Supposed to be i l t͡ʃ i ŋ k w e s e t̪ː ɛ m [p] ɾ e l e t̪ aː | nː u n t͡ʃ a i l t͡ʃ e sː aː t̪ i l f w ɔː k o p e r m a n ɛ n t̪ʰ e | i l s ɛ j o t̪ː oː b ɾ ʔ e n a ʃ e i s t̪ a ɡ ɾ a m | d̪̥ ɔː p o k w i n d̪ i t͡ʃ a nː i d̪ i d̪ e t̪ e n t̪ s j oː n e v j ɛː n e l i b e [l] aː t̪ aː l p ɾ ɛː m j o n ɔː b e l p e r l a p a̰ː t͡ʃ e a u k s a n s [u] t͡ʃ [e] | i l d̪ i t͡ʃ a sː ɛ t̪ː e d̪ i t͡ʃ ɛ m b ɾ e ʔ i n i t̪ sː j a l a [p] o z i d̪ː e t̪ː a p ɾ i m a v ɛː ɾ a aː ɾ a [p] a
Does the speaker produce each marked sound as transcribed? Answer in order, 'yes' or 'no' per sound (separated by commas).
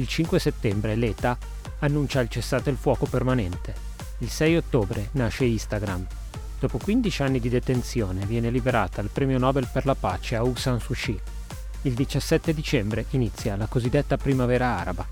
no, no, yes, no, no, no